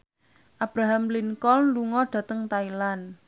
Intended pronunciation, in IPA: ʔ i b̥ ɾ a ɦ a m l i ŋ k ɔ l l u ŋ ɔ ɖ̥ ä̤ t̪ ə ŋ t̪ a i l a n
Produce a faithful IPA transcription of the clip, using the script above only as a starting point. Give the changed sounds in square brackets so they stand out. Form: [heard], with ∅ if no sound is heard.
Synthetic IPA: ʔ [a] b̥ ɾ a ɦ a m l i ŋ k ɔ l l u ŋ ɔ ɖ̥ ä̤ t̪ ə ŋ t̪ a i l a n